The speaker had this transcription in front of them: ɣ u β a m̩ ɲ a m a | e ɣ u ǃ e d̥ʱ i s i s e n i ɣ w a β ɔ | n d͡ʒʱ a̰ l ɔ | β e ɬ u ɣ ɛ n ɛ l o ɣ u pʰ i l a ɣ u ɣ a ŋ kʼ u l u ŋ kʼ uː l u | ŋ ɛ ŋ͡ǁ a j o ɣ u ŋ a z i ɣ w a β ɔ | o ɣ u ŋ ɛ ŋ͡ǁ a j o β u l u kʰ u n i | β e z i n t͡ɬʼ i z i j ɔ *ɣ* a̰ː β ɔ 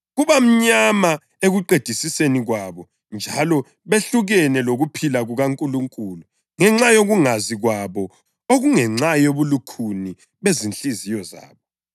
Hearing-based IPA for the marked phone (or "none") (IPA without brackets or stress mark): z